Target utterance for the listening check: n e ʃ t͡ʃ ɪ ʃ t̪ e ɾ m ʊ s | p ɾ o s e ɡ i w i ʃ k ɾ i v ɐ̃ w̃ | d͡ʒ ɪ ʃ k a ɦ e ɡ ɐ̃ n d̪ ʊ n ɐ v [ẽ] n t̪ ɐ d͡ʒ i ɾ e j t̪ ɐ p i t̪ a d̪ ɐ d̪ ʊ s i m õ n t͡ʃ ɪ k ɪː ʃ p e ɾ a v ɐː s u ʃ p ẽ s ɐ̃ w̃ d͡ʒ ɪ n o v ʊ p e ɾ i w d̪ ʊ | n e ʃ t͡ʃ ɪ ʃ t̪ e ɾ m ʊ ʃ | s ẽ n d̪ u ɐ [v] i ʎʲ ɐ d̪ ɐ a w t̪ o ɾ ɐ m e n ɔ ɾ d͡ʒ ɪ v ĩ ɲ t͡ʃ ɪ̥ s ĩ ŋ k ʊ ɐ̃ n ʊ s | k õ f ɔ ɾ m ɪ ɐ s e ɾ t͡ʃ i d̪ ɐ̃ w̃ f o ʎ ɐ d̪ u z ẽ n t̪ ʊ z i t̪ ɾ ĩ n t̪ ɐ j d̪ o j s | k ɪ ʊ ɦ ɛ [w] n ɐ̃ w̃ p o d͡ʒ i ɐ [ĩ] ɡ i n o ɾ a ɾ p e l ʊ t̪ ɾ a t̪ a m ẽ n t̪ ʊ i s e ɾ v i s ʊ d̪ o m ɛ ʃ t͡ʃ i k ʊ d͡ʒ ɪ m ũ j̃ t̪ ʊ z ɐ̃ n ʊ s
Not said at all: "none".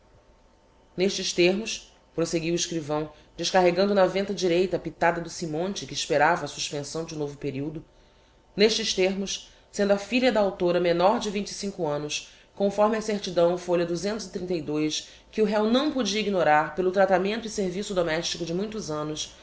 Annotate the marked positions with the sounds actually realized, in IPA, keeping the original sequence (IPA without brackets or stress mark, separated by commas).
ẽ, f, w, i